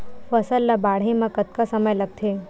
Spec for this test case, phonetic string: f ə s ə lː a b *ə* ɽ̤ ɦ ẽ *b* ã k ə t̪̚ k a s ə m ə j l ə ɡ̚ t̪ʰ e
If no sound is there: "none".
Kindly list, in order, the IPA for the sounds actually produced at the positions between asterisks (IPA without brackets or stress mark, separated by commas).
a, m